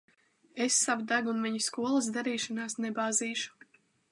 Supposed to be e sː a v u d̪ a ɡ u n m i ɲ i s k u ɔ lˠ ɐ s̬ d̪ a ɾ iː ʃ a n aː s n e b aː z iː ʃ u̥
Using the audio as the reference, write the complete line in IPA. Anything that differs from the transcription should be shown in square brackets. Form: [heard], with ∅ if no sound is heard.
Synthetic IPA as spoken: e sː a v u d̪ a ɡ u n m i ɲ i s k u ɔ lˠ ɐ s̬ d̪ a ɾ iː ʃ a n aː s n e b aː z iː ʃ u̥